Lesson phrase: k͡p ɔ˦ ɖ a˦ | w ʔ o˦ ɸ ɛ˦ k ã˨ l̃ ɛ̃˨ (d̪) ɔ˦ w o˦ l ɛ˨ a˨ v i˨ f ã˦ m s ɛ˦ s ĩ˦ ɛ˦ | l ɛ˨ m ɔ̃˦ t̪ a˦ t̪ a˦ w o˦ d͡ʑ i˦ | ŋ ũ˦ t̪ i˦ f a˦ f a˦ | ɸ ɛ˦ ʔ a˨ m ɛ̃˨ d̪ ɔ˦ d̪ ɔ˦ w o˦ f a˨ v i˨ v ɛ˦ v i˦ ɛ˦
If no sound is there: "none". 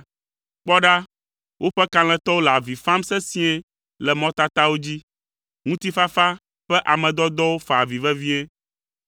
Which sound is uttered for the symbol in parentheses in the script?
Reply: t̪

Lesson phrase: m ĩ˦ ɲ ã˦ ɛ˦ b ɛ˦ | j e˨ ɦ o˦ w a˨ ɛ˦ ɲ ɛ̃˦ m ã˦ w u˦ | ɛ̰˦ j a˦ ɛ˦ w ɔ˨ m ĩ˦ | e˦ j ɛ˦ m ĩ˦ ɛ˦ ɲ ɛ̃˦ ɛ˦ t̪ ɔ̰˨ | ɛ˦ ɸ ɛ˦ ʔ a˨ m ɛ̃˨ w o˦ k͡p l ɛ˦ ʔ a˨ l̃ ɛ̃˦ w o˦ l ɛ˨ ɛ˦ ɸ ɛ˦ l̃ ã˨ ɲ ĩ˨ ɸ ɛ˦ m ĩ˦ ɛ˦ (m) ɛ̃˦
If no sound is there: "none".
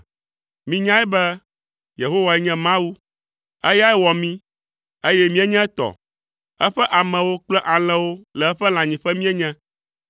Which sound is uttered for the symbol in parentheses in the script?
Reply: ɲ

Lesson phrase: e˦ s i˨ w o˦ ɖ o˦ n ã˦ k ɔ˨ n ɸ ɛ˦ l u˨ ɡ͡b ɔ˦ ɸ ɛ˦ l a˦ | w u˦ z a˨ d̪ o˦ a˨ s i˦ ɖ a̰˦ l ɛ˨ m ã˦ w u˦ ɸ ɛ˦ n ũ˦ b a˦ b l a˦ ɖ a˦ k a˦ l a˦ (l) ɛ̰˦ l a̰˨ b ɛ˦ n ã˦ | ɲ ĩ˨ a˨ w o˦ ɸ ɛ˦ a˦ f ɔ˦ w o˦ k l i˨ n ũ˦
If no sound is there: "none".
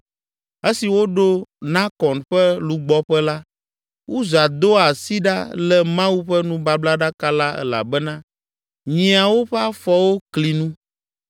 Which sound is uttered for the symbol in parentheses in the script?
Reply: none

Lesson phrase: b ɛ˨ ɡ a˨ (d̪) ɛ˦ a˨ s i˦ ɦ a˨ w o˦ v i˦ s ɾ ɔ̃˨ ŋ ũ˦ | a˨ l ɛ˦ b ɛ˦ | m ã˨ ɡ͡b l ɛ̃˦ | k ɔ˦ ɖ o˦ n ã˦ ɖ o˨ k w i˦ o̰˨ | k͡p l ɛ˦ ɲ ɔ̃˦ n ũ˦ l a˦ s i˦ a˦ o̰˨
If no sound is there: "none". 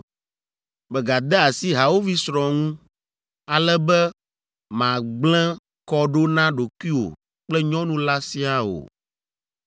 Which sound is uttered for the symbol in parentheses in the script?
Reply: d̪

